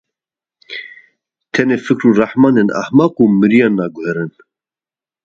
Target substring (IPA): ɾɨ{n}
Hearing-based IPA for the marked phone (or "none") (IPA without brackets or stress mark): n